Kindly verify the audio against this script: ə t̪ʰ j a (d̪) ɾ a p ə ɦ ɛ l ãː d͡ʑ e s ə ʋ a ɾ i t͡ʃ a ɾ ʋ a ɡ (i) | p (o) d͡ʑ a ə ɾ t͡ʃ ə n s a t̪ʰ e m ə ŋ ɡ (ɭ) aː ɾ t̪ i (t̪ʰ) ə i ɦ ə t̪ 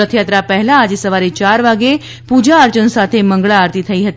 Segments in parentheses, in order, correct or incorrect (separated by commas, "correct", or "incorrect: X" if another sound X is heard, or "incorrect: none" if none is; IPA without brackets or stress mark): incorrect: t̪, incorrect: e, incorrect: u, correct, correct